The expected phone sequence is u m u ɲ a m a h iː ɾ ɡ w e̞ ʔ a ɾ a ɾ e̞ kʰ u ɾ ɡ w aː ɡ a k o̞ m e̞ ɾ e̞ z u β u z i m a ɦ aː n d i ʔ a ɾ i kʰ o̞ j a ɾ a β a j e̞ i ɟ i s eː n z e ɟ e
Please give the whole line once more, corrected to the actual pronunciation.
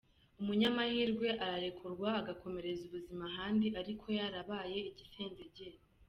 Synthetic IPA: u m u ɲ a m a h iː ɾ ɡ w e̞ ʔ a ɾ a ɾ e̞ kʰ u ɾ ɡ w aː ɡ a k o̞ m e̞ ɾ e̞ z u β u z i m a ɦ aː n d i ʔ a ɾ i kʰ o̞ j a ɾ a β a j e̞ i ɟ i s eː n z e ɟ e